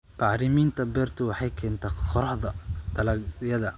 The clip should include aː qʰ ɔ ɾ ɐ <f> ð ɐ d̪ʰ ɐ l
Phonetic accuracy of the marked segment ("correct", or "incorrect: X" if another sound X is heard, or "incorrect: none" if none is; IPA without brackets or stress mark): incorrect: ħ